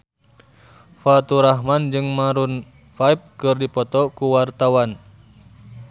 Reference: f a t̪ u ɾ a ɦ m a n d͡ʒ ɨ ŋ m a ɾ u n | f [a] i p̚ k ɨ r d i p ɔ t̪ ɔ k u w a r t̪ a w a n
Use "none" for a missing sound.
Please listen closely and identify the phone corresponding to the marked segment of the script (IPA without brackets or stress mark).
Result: a